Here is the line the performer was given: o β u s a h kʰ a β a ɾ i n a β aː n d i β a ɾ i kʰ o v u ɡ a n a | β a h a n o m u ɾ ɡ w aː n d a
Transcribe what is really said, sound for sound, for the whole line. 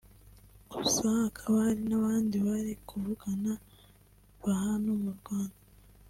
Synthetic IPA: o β u s a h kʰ a β a ɾ i n a β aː n d i β a ɾ i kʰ u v u ɡ a n a | β a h a n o m u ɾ ɡ w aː n d a